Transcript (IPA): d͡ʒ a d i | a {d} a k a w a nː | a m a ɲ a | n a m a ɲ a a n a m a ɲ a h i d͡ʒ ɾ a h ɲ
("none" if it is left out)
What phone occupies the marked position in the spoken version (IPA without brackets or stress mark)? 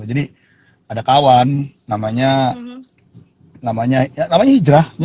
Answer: d